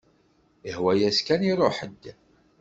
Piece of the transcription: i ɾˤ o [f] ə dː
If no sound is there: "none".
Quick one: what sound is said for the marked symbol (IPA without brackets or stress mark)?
ħ